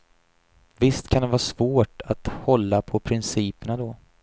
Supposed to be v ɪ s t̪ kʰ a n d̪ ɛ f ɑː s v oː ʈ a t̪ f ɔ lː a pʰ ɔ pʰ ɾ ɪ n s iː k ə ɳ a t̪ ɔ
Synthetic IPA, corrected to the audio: v ɪ s t̪ kʰ a n d̪ ɛ v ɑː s v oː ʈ a t̪ h ɔ lː a pʰ ɔ pʰ ɾ ɪ n s iː p ə ɳ a d̪ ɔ